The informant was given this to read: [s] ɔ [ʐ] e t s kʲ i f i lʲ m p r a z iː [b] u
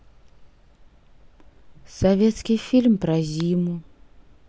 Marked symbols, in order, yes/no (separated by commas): yes, no, no